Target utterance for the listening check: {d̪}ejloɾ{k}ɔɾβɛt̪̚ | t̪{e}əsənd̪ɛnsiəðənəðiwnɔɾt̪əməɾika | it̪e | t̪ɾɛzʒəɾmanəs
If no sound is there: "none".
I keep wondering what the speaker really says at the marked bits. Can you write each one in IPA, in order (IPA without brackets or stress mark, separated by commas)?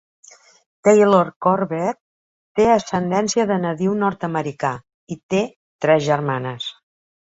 t̪, k, e